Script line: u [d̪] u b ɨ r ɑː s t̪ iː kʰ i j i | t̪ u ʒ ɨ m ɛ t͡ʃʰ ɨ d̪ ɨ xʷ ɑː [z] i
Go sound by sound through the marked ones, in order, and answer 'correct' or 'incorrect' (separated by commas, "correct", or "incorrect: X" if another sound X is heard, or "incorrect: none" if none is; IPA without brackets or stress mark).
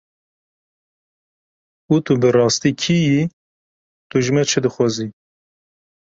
incorrect: t̪, correct